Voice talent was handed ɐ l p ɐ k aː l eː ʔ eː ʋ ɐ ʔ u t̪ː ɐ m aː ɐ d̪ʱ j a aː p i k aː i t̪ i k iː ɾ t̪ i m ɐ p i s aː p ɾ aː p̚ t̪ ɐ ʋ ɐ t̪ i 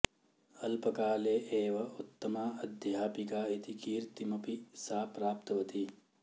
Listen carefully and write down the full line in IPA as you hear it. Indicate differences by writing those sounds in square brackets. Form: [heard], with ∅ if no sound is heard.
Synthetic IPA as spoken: ɐ l p ɐ k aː l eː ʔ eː ʋ ɐ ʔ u t̪ː ɐ m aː ɐ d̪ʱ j a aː p i k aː i t̪ i k iː ɾ t̪ i m ɐ p i s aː p ɾ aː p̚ t̪ ɐ ʋ ɐ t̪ i

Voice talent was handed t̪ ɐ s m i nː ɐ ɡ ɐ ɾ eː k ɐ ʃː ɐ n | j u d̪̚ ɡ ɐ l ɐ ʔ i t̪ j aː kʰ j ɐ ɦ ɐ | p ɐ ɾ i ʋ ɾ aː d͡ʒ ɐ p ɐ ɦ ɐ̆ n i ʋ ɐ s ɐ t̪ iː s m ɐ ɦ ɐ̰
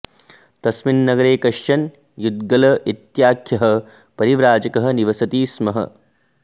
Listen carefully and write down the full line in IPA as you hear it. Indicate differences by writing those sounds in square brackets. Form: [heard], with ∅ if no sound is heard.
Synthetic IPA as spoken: t̪ ɐ s m i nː ɐ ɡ ɐ ɾ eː k ɐ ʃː ɐ n | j u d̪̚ ɡ ɐ l ɐ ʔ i t̪ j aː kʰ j ɐ ɦ ɐ | p ɐ ɾ i ʋ ɾ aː d͡ʒ ɐ [k] ɐ ɦ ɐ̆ n i ʋ ɐ s ɐ t̪ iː s m ɐ ɦ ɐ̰

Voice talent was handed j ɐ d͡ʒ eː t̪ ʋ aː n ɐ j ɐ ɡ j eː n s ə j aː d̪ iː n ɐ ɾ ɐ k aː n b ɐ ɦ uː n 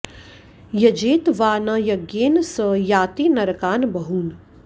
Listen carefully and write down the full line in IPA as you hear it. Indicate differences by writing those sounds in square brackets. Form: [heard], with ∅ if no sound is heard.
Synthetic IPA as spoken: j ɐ d͡ʒ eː t̪ ʋ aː n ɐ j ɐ ɡ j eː n s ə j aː [t̪] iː n ɐ ɾ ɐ k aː n b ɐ ɦ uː n

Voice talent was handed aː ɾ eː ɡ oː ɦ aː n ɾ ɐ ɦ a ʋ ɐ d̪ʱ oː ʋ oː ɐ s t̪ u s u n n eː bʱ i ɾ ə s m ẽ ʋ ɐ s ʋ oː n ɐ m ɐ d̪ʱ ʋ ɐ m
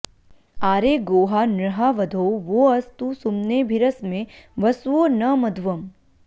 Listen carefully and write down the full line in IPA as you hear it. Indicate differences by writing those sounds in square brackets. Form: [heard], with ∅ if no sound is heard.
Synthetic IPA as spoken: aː ɾ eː ɡ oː ɦ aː n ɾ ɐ ɦ a ʋ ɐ d̪ʱ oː ʋ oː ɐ s t̪ u s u [m] n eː bʱ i ɾ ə s m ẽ ʋ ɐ s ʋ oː n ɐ m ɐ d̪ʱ ʋ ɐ m

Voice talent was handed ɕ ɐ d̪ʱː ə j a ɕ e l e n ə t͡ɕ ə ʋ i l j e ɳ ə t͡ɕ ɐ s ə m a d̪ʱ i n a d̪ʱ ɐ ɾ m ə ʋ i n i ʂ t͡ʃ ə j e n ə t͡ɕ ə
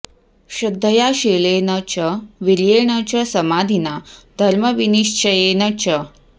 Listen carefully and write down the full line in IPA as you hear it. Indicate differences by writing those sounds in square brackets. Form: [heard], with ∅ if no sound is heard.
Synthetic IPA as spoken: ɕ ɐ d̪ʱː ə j a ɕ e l e n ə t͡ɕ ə ʋ i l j e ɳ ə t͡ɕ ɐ s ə m a d̪ʱ i n a d̪ʱ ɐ ɾ m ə ʋ i n i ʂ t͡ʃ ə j e n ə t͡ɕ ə

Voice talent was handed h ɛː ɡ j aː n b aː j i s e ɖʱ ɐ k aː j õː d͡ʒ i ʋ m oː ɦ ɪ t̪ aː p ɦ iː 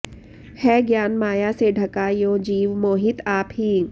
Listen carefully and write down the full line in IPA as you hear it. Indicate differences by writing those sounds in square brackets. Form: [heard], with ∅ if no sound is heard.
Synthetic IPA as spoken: h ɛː ɡ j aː n [m] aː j [a] s e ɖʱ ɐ k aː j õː d͡ʒ [iː] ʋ m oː ɦ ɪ t̪ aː p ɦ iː

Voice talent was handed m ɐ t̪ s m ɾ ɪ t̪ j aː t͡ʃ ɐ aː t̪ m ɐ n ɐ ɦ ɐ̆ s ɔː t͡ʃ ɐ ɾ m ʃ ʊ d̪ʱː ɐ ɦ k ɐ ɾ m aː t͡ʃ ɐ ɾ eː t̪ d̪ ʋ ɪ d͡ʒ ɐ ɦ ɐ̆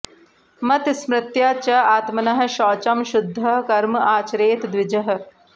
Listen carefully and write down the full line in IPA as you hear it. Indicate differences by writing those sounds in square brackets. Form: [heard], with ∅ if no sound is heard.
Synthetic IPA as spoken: m ɐ t̪ s m ɾ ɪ t̪ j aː t͡ʃ ɐ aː t̪ m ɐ n ɐ ɦ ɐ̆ [ʃ] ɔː t͡ʃ ɐ [∅] m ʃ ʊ d̪ʱː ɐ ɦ k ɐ ɾ m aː t͡ʃ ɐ ɾ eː t̪ d̪ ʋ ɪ d͡ʒ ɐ ɦ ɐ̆

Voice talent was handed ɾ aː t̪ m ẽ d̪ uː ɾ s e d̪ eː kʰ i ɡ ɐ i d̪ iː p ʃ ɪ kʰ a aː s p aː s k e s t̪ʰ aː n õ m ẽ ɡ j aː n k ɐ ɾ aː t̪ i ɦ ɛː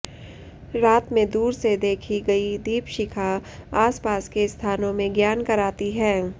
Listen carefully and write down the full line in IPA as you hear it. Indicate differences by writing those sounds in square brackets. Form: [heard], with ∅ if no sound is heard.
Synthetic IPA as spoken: ɾ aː t̪ m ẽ d̪ uː ɾ s e d̪ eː kʰ i ɡ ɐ i d̪ iː p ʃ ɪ kʰ a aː s p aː s k e s t̪ʰ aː n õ m ẽ ɡ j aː n k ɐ ɾ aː t̪ i ɦ ɛː

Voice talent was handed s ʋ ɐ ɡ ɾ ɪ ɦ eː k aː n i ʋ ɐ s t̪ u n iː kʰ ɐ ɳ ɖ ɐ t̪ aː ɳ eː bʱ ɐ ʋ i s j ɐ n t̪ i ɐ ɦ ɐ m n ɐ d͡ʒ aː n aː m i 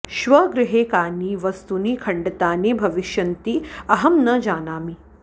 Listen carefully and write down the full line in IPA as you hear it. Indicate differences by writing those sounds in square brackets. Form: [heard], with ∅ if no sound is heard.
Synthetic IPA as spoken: [ʃ] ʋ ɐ ɡ ɾ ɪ ɦ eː k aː n i ʋ ɐ s t̪ u n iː kʰ ɐ ɳ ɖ ɐ t̪ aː [n] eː bʱ ɐ ʋ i [ʃ] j ɐ n t̪ i ɐ ɦ ɐ m n ɐ d͡ʒ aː n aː m i

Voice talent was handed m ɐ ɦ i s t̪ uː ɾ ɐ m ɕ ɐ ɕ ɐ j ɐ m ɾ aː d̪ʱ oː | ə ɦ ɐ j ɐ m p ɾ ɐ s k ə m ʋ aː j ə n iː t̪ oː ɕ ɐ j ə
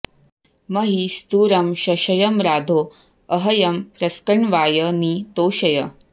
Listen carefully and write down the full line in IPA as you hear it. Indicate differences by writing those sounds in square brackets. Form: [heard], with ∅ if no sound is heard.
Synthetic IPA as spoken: m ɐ ɦ i s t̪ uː ɾ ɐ m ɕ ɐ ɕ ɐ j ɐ m ɾ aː d̪ʱ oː | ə ɦ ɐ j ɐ m p ɾ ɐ s k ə [ɳ] ʋ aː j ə n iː t̪ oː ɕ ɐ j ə

